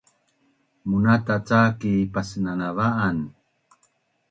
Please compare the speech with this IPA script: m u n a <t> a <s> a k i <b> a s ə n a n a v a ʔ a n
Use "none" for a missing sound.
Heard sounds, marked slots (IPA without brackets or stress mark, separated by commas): t, t͡s, p